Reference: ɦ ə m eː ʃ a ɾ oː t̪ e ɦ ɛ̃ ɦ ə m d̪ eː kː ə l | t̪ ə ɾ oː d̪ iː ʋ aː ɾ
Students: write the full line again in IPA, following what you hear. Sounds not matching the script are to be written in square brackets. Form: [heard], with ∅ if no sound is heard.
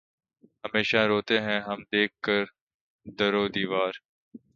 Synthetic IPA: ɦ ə m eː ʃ a ɾ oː t̪ e ɦ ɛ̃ ɦ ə m d̪ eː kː ə [ɾ] | [d̪] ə ɾ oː d̪ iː ʋ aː ɾ